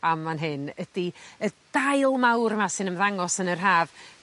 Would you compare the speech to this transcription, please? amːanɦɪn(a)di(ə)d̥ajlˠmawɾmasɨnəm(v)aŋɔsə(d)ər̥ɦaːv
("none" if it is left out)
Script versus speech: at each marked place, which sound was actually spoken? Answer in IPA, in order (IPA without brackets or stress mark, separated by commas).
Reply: ə, ə, ð, n